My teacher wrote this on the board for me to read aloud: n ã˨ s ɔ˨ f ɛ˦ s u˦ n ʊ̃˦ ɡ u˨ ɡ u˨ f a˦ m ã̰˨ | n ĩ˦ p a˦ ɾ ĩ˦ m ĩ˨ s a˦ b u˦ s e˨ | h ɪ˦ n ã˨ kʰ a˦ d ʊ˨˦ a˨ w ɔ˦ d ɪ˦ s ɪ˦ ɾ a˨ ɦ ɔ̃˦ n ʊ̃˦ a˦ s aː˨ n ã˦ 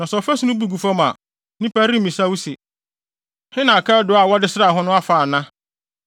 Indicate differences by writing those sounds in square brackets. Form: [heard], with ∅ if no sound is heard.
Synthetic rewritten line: n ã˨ s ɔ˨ f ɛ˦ s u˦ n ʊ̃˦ [b] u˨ ɡ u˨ f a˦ m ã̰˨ | n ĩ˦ p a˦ ɾ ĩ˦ m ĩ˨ s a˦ [w] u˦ s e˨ | h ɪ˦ n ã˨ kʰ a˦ d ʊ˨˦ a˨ w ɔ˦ d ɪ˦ s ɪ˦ ɾ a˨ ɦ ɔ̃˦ n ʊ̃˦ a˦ [f] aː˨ n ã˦